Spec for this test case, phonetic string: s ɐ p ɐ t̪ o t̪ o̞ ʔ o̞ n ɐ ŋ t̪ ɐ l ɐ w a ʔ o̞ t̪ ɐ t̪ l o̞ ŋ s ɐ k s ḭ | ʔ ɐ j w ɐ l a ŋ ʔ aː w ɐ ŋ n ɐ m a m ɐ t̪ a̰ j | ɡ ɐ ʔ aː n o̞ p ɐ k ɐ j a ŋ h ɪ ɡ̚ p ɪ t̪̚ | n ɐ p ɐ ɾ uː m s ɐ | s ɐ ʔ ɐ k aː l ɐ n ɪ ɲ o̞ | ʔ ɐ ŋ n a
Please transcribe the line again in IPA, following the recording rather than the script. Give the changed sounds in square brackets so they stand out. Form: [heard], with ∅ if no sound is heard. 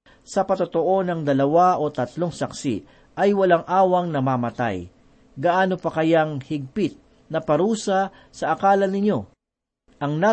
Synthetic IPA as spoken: s ɐ p ɐ t̪ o t̪ o̞ ʔ o̞ n ɐ ŋ [d̪] ɐ l ɐ w a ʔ o̞ t̪ ɐ t̪ l o̞ ŋ s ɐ k s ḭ | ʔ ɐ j w ɐ l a ŋ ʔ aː w ɐ ŋ n ɐ m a m ɐ t̪ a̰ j | ɡ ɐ ʔ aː n o̞ p ɐ k ɐ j a ŋ h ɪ ɡ̚ p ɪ t̪̚ | n ɐ p ɐ ɾ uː [∅] s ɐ | s ɐ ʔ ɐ k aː l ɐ n ɪ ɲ o̞ | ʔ ɐ ŋ n a